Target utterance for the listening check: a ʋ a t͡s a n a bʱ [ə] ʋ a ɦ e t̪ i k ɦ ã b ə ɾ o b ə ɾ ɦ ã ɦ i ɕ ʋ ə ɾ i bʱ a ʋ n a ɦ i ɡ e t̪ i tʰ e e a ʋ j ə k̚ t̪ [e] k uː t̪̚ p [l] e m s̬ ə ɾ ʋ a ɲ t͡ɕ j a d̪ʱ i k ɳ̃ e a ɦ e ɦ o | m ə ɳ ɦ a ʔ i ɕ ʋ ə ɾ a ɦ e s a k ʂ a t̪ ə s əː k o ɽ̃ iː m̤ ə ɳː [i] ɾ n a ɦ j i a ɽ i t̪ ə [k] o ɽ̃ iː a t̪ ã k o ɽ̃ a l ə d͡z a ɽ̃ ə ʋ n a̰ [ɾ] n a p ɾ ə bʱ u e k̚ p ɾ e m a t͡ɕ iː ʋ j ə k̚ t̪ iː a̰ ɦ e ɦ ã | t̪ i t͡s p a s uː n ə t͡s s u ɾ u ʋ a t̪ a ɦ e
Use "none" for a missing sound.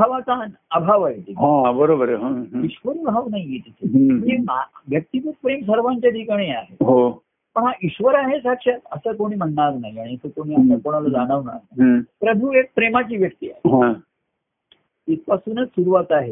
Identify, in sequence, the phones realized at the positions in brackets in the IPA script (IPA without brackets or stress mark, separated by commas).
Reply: a, i, ɾ, a, k, ɾ